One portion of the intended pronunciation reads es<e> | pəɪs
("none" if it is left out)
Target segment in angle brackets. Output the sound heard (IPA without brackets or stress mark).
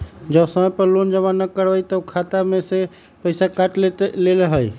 e